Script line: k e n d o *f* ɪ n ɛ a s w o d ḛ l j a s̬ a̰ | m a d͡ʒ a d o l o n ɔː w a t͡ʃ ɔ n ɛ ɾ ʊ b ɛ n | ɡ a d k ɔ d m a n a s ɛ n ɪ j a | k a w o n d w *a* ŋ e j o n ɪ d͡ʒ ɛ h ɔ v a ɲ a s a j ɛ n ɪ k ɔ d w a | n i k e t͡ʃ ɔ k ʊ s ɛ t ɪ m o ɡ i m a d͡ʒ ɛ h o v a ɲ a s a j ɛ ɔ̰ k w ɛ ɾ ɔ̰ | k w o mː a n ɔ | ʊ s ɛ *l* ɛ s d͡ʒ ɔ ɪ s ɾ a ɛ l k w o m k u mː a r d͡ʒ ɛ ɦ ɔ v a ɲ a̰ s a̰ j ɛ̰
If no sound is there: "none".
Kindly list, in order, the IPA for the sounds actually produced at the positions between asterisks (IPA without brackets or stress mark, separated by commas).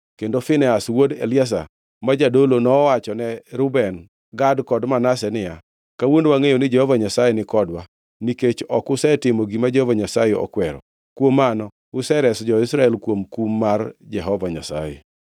f, a, ɾ